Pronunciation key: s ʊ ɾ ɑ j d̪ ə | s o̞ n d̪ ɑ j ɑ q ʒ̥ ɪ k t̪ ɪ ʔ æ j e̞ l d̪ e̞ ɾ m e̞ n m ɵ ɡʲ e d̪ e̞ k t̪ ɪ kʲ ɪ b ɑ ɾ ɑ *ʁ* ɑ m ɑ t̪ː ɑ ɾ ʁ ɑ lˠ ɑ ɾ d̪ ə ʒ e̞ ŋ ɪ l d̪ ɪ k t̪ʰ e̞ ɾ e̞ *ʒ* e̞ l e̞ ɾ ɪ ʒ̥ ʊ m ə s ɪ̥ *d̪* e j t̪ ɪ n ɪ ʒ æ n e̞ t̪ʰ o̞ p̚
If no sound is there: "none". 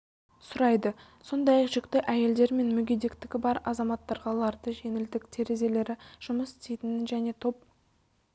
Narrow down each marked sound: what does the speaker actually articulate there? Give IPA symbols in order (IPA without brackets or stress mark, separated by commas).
z, z, t̪